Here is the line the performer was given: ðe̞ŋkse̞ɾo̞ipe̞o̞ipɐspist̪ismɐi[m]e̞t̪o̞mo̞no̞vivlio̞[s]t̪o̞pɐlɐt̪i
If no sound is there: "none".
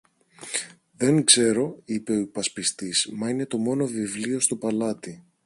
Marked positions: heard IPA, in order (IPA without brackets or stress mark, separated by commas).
n, s